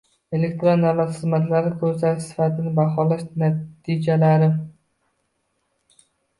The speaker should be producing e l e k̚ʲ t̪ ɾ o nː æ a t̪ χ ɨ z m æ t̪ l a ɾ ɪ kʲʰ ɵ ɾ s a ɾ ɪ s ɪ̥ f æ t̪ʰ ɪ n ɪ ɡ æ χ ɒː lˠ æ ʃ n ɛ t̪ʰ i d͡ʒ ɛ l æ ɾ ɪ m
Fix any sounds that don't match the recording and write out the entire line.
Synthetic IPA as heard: e l e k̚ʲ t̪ ɾ o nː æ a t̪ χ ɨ z m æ t̪ l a ɾ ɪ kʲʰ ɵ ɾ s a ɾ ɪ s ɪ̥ f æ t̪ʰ ɪ n ɪ b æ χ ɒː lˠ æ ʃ n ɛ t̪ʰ i d͡ʒ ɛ l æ ɾ ɪ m